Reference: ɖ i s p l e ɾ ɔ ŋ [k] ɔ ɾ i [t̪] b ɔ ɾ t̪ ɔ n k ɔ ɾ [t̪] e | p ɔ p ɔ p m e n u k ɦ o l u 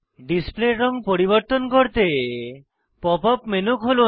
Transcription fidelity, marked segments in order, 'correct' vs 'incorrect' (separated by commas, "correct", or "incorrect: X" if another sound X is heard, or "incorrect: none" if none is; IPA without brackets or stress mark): incorrect: p, incorrect: none, correct